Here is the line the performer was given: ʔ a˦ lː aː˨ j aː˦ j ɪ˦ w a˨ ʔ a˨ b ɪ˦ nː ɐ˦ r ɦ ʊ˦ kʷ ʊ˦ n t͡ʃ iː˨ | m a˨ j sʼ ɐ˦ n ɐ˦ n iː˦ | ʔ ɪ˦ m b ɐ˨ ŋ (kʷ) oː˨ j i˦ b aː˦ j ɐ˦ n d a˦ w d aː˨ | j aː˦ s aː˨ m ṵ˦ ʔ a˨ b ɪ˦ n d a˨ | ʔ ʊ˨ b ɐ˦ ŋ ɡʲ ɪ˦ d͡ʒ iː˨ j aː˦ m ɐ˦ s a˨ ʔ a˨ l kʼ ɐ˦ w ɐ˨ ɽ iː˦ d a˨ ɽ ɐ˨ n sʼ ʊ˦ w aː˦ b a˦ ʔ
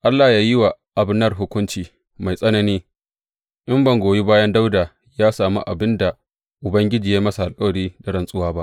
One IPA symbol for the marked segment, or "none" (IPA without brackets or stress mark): ɡʷ